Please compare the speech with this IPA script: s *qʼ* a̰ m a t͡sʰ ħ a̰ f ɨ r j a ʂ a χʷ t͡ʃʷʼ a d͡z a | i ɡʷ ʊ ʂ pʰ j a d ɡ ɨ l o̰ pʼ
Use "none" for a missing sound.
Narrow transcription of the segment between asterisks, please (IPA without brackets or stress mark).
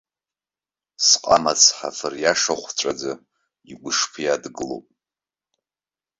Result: qʼ